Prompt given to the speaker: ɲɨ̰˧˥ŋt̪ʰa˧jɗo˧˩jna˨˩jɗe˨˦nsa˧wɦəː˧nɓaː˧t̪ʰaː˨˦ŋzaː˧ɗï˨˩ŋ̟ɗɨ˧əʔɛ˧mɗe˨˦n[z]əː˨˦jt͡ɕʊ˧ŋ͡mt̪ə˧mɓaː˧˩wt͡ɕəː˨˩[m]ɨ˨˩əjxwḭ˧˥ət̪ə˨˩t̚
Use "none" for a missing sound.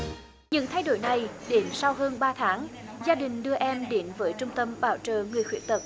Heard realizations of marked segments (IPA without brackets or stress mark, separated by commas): v, ŋ